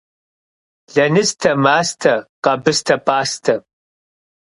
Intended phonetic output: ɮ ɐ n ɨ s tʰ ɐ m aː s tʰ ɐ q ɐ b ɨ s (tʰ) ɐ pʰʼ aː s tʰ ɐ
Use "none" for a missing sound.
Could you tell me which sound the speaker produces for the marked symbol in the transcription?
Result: tʰ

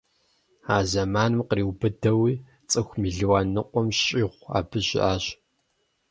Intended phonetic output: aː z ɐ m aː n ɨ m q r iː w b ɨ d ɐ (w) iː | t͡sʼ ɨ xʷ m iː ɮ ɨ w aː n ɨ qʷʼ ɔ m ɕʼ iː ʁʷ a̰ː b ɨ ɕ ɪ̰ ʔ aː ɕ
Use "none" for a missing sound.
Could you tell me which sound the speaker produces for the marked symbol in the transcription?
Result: w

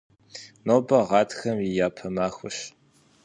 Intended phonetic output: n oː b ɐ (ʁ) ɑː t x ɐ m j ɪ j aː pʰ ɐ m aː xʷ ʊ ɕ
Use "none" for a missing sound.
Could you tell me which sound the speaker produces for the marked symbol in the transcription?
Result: ʁ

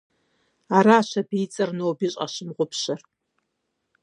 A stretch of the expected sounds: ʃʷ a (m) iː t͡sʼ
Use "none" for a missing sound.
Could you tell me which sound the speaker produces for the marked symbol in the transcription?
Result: b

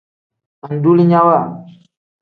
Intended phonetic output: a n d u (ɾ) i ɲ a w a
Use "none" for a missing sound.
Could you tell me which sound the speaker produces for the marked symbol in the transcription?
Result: l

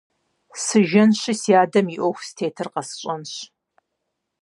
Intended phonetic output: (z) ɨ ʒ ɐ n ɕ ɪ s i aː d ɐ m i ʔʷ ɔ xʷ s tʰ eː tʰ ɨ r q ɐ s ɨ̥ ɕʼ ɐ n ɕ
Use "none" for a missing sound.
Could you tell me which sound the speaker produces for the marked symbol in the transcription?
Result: s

